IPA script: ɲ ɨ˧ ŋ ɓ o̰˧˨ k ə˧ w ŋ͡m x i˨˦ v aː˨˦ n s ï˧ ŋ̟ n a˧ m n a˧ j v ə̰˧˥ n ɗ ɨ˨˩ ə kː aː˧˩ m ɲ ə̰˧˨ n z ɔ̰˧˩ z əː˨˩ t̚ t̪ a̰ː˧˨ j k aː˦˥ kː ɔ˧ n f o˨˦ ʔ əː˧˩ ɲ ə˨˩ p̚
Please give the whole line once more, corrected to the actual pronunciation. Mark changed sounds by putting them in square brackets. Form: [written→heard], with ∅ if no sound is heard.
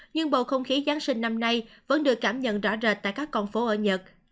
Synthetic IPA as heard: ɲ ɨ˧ ŋ ɓ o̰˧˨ [k→x] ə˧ w ŋ͡m x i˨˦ [v→z] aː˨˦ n s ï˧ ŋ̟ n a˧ m n a˧ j v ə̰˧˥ n ɗ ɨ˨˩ ə kː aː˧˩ m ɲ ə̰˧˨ n z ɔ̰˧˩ z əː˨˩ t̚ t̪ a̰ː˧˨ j k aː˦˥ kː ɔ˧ n f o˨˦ ʔ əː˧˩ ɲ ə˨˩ [p̚→t̚]